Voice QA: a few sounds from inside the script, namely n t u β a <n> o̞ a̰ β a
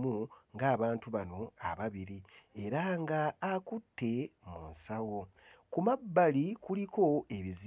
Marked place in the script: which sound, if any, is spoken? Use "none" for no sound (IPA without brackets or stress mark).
n